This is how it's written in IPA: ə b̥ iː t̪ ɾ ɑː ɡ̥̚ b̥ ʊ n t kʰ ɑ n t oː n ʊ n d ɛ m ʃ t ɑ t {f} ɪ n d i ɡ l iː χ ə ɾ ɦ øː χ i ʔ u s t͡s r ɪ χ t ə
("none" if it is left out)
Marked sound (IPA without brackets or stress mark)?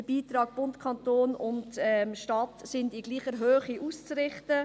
s